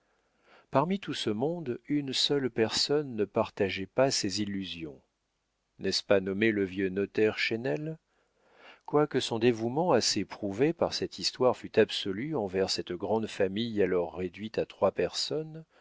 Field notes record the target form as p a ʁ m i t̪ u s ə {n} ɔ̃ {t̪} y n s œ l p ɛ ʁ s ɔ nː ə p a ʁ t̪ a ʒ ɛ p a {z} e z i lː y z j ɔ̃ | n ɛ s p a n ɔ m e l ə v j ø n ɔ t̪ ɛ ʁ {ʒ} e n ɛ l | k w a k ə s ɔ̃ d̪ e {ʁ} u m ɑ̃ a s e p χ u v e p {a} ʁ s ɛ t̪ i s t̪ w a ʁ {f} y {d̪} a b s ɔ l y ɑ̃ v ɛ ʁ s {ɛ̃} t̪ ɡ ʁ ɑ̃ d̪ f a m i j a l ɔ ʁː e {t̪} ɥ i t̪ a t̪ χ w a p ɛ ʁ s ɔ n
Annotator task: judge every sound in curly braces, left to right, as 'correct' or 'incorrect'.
incorrect: m, incorrect: d̪, incorrect: s, incorrect: ʃ, incorrect: v, correct, correct, incorrect: t̪, incorrect: ɛ, incorrect: d̪

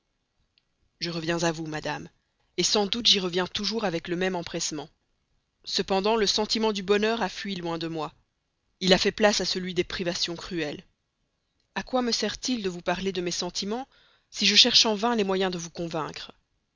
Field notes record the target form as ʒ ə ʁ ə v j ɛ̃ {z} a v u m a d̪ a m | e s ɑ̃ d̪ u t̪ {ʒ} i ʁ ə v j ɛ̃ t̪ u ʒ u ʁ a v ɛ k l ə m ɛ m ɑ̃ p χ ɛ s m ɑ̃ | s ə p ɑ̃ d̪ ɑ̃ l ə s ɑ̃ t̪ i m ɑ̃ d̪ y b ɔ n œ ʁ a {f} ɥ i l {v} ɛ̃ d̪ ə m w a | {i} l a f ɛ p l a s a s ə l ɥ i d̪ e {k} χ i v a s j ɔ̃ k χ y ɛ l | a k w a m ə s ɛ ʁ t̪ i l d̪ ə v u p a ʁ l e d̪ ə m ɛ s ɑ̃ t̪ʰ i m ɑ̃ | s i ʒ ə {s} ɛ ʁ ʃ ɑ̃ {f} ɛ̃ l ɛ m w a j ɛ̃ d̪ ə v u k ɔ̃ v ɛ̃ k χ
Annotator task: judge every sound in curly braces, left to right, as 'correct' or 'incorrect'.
correct, correct, correct, incorrect: w, correct, incorrect: p, incorrect: ʃ, incorrect: v

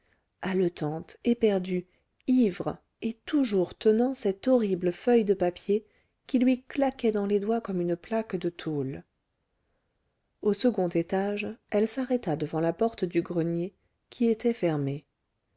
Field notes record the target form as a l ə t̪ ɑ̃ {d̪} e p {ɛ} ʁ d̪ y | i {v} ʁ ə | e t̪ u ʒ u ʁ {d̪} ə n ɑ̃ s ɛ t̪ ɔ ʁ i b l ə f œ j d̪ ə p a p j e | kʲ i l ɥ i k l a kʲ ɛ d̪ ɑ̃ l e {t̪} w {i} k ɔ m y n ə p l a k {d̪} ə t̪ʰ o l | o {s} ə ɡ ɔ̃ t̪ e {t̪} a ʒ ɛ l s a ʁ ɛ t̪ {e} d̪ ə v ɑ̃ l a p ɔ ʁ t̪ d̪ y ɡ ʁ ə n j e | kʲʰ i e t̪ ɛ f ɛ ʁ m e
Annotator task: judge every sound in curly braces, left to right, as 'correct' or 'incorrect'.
incorrect: t̪, correct, correct, incorrect: t̪, incorrect: d̪, incorrect: a, correct, correct, correct, incorrect: a

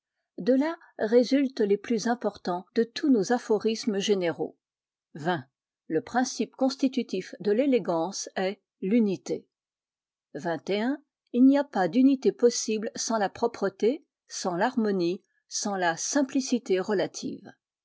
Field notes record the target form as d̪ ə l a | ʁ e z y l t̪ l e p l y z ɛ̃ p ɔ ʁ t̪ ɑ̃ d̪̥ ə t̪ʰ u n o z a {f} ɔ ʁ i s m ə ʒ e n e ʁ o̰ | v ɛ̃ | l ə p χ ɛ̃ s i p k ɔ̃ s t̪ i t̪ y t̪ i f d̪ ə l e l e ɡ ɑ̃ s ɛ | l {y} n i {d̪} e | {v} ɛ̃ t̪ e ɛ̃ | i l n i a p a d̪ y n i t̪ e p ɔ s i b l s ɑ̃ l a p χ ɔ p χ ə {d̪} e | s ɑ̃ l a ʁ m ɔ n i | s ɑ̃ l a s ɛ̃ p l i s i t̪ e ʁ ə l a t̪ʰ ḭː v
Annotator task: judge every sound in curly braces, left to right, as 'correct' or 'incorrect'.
correct, correct, incorrect: t̪, correct, incorrect: t̪

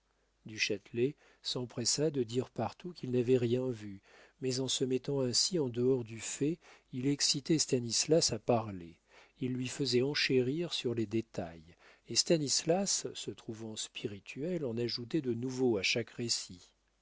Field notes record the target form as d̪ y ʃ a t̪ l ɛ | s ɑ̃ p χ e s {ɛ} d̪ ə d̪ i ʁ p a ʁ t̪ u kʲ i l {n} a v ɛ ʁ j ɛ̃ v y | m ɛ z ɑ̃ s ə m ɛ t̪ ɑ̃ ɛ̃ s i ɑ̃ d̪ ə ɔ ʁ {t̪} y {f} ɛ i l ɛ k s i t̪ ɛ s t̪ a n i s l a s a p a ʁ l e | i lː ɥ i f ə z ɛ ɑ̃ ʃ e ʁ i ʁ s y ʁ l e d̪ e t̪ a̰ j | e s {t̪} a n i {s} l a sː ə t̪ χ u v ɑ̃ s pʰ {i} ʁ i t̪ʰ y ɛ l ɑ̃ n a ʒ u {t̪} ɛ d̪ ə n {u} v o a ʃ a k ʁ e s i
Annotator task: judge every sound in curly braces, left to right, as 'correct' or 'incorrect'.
incorrect: a, correct, incorrect: d̪, correct, correct, correct, correct, correct, correct

